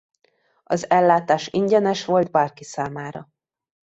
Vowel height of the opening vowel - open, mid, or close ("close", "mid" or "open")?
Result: open